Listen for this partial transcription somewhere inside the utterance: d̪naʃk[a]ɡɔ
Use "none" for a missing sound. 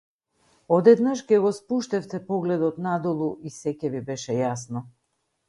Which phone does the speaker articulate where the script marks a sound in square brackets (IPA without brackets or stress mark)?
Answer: ɛ